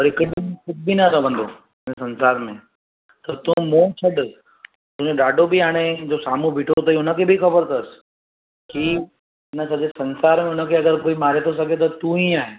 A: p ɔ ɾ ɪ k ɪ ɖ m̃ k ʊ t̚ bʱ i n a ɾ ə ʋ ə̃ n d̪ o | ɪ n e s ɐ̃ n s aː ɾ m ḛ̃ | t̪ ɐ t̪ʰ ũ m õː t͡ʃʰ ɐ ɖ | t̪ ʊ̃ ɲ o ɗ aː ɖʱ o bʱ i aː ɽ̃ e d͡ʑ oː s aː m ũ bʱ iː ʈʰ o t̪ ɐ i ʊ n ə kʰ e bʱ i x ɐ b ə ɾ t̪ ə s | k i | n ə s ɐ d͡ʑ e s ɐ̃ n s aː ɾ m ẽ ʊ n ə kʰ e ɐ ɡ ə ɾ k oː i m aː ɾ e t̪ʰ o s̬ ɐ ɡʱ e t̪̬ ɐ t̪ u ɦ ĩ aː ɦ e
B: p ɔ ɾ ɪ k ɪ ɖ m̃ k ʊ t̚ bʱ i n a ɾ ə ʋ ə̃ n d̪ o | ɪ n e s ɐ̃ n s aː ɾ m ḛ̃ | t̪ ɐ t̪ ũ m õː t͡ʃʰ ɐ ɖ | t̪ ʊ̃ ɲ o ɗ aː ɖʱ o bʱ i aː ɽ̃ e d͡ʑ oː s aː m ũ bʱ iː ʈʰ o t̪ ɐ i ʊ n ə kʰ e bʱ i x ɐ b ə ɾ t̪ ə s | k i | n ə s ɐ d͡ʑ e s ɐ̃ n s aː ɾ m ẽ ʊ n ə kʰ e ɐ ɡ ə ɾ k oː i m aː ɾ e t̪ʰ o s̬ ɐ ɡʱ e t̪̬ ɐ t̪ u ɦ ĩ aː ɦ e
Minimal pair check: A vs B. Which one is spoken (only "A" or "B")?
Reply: B